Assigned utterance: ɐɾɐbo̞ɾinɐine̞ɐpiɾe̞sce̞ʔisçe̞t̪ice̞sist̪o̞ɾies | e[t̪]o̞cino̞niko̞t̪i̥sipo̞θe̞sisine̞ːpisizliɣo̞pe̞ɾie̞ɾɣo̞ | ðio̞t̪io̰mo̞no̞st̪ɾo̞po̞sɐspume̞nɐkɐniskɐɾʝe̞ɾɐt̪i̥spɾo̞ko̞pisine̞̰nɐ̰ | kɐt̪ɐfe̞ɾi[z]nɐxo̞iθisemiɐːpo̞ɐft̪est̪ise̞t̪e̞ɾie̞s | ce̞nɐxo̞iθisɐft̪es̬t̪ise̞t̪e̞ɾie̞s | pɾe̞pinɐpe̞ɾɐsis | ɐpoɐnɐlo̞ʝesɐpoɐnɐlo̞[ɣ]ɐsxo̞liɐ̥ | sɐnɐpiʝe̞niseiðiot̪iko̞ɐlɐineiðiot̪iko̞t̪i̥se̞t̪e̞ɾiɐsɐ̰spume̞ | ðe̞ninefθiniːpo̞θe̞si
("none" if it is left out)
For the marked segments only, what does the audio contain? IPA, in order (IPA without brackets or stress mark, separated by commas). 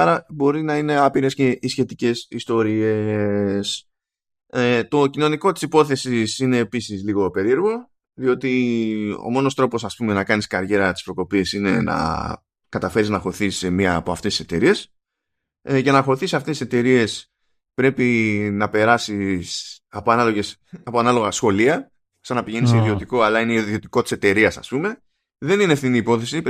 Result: t̪, z, ɣ